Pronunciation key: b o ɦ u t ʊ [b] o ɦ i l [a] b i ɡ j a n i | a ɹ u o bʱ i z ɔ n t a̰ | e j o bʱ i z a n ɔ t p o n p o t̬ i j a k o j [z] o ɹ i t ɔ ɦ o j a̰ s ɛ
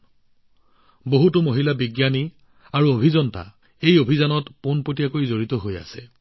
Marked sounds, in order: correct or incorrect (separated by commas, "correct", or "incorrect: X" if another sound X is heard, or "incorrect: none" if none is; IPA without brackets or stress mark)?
incorrect: m, correct, correct